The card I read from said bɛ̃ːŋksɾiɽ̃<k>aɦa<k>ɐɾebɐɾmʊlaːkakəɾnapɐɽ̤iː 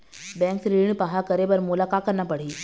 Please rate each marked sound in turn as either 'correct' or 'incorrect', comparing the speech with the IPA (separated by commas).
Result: incorrect, correct